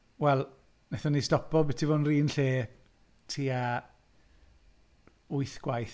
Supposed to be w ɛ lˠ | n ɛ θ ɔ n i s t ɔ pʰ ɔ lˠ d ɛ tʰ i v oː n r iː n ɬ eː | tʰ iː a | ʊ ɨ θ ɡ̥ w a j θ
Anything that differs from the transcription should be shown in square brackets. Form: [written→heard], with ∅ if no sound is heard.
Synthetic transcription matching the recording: w ɛ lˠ | n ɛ θ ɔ n i s t ɔ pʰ ɔ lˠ [d→b] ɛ tʰ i v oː n r iː n ɬ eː | tʰ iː a | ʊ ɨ θ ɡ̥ w a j θ